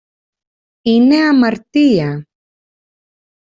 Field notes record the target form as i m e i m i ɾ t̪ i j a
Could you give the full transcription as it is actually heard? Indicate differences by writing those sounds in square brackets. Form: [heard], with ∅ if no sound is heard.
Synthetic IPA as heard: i [n] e [a] m [a] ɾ t̪ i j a